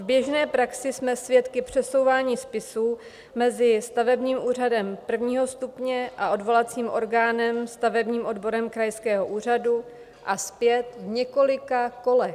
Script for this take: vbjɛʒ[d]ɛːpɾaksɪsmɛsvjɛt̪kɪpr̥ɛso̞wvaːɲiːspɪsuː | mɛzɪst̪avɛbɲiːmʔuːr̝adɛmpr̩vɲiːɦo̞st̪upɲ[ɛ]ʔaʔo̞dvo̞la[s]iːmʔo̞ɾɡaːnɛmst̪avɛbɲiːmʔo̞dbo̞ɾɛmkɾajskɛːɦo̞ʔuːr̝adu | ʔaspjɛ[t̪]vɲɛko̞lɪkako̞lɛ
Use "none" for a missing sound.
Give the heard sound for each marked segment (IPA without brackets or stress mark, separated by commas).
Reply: n, ɛ, t͡s, t̪